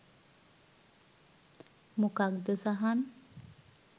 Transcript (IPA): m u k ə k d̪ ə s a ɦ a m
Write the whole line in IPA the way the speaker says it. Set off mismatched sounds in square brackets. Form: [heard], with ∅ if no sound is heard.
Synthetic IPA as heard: m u k [a] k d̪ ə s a ɦ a [n]